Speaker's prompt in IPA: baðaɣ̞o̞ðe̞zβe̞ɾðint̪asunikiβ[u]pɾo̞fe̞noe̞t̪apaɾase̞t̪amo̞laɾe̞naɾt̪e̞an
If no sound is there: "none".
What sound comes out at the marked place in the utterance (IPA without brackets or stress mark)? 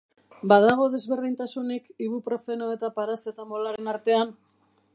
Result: u